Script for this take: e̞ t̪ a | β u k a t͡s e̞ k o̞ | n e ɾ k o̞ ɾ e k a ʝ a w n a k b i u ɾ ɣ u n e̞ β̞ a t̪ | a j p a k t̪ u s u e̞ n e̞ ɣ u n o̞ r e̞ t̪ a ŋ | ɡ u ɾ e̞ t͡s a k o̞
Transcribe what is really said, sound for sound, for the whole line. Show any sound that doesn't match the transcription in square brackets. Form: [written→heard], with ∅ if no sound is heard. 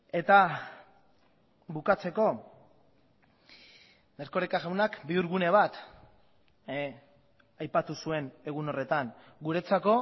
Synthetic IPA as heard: e̞ t̪ a | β u k a t͡s e̞ k o̞ | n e ɾ k o̞ ɾ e k a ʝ a w n a k b i u ɾ ɣ u n e̞ β̞ a t̪ | a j p a [k→∅] t̪ u s u e̞ n e̞ ɣ u n o̞ r e̞ t̪ a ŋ | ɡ u ɾ e̞ t͡s a k o̞